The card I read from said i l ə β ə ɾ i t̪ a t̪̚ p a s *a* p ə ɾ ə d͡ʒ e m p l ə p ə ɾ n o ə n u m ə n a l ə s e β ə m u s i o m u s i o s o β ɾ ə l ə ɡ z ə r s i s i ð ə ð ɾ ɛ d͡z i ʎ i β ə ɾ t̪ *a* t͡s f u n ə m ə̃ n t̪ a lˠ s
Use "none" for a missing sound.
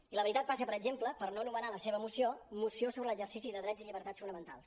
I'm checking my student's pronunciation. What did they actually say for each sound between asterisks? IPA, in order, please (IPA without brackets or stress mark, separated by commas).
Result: ə, a